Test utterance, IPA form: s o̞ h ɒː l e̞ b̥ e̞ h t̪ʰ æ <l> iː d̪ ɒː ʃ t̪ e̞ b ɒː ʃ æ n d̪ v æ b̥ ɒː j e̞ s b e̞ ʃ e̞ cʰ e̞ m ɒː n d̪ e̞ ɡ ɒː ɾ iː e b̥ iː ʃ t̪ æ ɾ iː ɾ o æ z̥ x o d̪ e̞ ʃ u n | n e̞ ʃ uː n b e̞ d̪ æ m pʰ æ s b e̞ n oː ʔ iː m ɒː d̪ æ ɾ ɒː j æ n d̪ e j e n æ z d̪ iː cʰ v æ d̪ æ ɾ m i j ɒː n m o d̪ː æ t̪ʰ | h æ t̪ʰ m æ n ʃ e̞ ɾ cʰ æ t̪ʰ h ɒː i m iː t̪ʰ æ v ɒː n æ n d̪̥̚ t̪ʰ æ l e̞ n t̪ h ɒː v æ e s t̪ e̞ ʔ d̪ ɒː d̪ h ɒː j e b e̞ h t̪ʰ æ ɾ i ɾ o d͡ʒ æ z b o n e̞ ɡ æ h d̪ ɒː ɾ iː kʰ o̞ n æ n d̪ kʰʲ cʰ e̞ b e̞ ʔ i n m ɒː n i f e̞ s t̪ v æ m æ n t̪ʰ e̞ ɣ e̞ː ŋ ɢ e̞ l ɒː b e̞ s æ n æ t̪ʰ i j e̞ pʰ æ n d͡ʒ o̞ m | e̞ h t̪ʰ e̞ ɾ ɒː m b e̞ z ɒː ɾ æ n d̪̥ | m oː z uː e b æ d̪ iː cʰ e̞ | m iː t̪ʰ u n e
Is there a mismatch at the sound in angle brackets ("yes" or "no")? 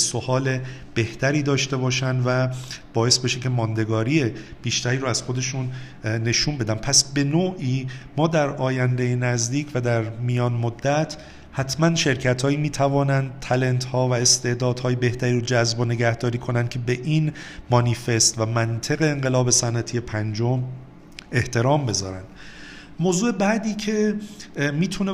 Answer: yes